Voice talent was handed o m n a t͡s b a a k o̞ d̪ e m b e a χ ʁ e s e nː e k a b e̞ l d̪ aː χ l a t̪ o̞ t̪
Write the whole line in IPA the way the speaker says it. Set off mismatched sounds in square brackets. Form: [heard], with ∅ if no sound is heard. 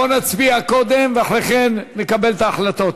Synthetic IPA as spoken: o [∅] n a t͡s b [i] a k o̞ d̪ e m [v] e a χ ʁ e [χ] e nː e k a b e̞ l [t̪] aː χ l a t̪ o̞ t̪